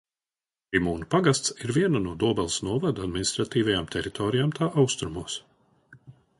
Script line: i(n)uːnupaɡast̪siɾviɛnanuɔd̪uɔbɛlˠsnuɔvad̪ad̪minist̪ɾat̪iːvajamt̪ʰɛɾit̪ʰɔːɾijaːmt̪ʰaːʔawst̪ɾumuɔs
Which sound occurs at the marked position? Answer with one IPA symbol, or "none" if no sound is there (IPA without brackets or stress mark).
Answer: m